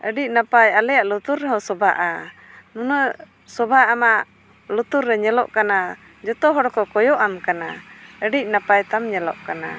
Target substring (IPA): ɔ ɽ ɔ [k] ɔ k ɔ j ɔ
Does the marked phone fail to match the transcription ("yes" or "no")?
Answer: no